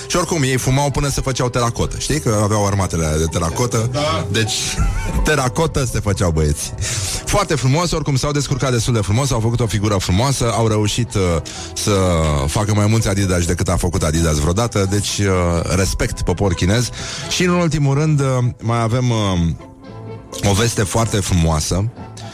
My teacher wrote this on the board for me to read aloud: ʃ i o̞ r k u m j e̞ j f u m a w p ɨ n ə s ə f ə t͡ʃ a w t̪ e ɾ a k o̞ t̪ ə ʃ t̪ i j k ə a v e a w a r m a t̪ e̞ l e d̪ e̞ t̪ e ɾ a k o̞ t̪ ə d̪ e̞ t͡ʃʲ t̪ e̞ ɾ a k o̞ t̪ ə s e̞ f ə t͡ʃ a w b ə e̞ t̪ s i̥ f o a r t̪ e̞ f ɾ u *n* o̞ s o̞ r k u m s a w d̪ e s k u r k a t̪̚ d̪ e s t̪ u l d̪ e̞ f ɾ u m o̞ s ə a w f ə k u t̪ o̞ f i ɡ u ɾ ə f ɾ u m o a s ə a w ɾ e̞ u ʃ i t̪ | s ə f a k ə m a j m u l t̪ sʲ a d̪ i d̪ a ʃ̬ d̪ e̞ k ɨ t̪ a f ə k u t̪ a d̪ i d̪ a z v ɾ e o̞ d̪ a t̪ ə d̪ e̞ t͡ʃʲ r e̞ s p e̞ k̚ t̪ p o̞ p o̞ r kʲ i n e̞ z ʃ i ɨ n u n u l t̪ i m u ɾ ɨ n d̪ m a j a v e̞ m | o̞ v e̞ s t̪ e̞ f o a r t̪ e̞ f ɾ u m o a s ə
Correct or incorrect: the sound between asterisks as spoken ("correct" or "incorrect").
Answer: incorrect